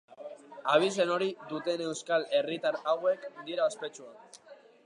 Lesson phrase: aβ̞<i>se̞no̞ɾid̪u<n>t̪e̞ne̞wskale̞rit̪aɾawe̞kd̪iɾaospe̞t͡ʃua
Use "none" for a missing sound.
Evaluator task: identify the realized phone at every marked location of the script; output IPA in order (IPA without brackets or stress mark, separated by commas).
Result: i, none